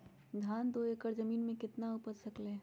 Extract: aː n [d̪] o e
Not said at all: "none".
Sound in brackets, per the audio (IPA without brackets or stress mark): d̪